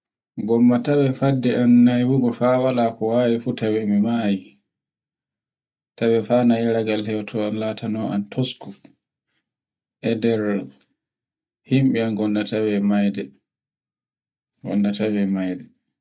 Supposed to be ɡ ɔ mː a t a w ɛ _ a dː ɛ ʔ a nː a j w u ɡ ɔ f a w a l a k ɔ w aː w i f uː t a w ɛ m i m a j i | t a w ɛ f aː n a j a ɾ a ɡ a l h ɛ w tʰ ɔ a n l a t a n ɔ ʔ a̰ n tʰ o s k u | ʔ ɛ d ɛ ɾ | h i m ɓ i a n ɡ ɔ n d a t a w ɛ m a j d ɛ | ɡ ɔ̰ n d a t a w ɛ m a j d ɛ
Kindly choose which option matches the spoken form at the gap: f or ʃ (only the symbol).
f